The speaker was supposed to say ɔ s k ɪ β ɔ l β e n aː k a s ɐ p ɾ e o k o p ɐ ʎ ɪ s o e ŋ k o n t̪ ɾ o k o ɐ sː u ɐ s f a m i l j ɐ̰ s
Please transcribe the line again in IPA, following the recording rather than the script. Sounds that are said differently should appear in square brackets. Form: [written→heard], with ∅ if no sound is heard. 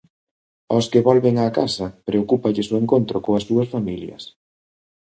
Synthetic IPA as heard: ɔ s k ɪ β ɔ l β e [n→ŋ] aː k a s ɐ p ɾ e o k [o→u] p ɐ ʎ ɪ s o e ŋ k o n t̪ ɾ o k o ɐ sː u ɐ s f a m i l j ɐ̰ s